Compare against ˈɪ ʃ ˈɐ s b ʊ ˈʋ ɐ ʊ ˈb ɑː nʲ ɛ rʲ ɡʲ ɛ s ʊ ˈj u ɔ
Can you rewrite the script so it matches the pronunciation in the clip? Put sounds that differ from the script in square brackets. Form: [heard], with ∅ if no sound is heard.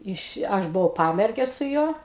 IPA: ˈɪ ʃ ˈɐ [ʃ] b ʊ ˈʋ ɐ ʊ [ˈp] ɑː [mʲ] ɛ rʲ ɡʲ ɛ s ʊ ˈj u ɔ